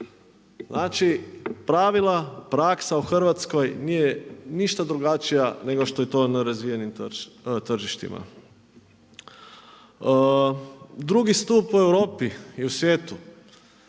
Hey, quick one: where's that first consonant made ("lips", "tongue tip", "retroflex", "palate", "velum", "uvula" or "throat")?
tongue tip